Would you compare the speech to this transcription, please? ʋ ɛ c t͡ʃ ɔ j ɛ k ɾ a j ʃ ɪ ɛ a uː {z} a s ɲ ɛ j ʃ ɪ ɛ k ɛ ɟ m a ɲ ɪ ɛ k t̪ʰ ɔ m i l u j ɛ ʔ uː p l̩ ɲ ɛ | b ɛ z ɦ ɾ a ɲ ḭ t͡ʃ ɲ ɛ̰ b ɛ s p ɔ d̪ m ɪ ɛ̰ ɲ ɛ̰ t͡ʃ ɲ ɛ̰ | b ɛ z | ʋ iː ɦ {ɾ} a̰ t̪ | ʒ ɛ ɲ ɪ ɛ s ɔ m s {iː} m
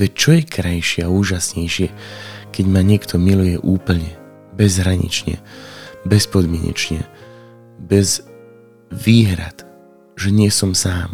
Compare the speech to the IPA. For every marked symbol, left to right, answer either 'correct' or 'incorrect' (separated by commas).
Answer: incorrect, correct, incorrect